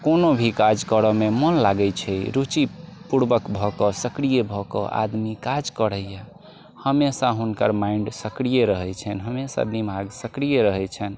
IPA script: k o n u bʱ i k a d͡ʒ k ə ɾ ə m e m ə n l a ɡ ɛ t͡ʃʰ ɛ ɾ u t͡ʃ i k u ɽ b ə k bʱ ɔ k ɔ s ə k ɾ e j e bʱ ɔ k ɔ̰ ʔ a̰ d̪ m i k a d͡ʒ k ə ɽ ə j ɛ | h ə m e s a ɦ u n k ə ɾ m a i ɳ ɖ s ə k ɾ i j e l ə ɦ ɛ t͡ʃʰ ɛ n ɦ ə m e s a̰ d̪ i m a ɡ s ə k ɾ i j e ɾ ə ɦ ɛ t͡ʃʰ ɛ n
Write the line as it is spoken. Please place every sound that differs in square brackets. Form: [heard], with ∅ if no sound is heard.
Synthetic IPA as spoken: k o n [o] bʱ i k a d͡ʒ k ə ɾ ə m e m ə n l a ɡ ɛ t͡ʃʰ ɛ ɾ u t͡ʃ i [p] u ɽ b ə k bʱ ɔ k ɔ s ə k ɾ [i] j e bʱ ɔ k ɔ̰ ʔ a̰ d̪ m i k a d͡ʒ k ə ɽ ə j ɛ | h ə m e s a ɦ u n k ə ɾ m a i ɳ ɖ s ə k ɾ i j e [ɾ] ə ɦ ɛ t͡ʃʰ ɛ n ɦ ə m e s a̰ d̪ i m a ɡ s ə k ɾ i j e ɾ ə ɦ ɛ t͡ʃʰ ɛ n